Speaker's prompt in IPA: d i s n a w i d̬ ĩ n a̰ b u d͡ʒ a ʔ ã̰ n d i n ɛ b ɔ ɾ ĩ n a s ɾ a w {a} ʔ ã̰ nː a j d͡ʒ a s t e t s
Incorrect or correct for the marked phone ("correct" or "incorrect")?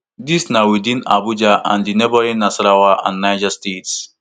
correct